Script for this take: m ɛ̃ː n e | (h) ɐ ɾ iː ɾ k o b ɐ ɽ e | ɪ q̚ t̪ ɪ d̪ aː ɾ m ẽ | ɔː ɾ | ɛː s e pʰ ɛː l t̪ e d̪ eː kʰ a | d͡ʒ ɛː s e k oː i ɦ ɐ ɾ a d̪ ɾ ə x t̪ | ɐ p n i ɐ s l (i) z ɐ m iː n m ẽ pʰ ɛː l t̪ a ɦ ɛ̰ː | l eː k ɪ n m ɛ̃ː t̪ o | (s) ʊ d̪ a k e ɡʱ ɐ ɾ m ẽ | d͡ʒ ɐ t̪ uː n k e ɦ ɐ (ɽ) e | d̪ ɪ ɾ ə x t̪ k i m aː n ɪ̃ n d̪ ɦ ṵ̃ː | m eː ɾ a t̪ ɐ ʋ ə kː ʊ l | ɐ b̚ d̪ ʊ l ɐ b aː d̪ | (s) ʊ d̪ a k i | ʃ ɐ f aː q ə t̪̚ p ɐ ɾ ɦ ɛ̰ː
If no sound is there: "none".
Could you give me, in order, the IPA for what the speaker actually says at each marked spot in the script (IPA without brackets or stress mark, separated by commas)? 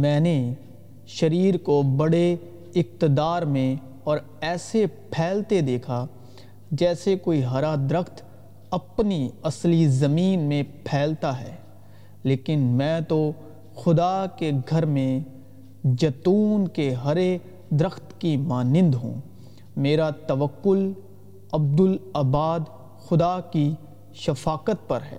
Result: ʃ, i, x, ɾ, x